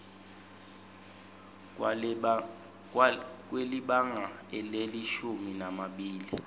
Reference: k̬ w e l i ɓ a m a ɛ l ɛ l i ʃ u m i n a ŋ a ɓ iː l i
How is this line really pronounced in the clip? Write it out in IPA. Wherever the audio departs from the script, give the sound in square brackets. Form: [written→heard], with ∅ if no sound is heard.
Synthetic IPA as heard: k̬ w e l i ɓ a [m→ŋ] a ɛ l [ɛ→e] l i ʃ u m i n a [ŋ→m] a ɓ iː l i